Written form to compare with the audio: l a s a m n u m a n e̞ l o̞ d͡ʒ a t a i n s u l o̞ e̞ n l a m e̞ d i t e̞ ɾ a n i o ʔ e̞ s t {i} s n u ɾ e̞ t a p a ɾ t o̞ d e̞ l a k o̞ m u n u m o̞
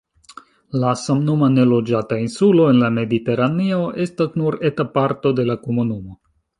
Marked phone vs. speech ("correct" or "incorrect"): incorrect